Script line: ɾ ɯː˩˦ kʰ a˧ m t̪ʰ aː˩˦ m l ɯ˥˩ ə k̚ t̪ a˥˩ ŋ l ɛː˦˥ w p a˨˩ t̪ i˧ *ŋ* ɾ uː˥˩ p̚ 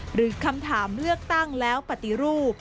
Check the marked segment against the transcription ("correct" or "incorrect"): incorrect